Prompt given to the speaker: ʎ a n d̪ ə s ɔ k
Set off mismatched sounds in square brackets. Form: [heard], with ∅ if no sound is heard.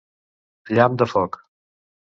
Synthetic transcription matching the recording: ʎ a [m] d̪ ə [f] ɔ k